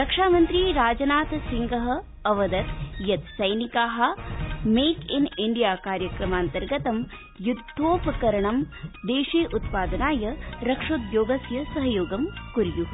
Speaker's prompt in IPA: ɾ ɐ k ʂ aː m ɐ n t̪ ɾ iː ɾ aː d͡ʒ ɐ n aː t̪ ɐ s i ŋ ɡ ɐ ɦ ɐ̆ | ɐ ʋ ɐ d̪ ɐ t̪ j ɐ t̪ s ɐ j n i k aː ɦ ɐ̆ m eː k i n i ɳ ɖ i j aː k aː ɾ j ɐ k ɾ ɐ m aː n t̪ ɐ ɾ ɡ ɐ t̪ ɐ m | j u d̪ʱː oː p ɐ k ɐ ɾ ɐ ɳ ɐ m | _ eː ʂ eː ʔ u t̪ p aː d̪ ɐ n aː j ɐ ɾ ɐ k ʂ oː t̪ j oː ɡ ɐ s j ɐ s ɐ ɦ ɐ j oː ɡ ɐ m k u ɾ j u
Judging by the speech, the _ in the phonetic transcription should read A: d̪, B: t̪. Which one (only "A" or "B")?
A